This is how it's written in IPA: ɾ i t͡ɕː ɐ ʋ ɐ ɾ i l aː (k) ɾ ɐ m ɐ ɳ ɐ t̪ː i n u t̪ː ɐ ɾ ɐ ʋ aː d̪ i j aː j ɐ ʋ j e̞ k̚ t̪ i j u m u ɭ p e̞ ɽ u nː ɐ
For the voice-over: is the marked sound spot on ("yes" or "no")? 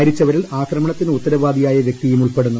yes